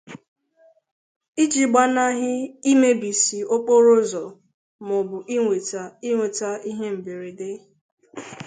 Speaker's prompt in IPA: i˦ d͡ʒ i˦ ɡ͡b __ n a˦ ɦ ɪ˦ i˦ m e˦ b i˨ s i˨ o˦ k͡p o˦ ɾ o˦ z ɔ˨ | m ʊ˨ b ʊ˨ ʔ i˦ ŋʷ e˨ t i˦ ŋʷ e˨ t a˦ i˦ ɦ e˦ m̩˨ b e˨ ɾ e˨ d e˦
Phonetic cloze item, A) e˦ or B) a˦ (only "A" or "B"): B